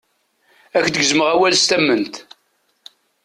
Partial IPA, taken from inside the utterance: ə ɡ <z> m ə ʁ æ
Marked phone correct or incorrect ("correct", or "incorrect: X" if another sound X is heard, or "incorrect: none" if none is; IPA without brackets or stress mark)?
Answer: correct